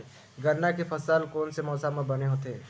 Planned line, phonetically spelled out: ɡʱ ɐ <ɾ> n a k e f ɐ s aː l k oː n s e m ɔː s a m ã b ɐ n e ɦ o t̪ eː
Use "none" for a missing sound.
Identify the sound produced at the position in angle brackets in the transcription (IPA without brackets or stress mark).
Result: ɾ